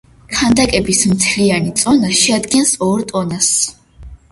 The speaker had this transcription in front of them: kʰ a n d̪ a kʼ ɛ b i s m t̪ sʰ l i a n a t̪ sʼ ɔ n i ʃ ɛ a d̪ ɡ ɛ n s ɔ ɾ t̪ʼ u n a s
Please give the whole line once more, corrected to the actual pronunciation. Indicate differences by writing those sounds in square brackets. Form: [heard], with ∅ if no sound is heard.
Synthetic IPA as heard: kʰ a n d̪ a kʼ ɛ b i s m t̪ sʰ l i a n [i] t̪ sʼ ɔ n [a] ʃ ɛ a d̪ ɡ ɛ n s ɔ ɾ t̪ʼ [ɔ] n a s